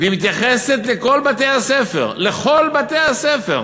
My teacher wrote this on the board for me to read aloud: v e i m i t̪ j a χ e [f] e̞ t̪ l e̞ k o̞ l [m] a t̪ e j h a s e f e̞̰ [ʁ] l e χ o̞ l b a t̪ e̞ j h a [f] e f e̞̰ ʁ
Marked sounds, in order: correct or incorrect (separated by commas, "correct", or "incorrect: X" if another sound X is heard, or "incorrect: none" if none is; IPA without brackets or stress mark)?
incorrect: s, incorrect: b, correct, incorrect: s